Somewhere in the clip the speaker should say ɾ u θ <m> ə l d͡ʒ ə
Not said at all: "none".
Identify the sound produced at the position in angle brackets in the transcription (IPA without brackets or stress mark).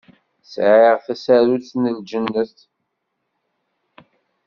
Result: n